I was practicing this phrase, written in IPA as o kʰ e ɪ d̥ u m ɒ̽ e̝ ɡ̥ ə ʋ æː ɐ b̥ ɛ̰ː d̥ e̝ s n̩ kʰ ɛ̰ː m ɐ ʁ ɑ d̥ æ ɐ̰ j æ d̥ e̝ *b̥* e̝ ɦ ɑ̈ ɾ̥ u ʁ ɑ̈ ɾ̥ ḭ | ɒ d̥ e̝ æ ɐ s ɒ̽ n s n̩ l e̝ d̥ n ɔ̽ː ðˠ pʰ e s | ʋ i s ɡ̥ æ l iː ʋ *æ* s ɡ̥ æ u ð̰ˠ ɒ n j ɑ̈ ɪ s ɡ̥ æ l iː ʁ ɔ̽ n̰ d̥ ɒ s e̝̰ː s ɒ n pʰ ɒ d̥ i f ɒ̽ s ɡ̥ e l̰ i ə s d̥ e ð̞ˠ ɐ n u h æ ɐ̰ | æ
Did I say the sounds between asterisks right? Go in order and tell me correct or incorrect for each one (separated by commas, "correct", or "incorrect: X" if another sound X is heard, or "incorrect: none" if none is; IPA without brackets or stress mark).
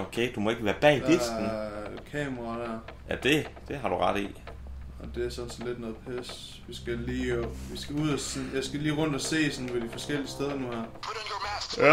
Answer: incorrect: d̥, incorrect: i